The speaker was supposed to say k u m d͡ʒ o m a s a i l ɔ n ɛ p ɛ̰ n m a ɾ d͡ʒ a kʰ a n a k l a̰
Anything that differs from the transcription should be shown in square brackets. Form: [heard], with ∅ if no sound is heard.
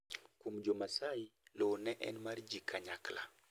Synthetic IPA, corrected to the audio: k u m d͡ʒ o m a s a i l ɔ n ɛ [ʔ] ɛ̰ n m a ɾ d͡ʒ [i] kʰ a [ɲ] a k l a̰